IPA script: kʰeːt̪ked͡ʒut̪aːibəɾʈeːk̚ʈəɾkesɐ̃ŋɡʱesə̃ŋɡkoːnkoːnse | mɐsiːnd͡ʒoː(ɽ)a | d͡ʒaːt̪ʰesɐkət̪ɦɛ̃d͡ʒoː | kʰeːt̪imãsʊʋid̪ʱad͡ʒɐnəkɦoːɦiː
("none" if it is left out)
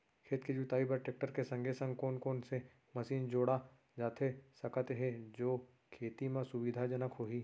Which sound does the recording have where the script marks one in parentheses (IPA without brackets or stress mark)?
ɽ